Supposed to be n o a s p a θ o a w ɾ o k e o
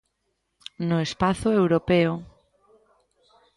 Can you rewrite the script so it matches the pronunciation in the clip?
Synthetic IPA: n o e s p a θ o e w ɾ o p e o